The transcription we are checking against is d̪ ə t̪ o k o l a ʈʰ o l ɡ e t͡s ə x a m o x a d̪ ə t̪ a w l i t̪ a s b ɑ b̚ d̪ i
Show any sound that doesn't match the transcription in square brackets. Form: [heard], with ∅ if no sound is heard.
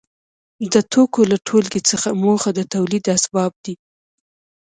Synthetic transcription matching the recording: d̪ ə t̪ o k o l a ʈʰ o l ɡ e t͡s ə x a m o x a d̪ ə t̪ a w l i [d̪] a s b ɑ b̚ d̪ i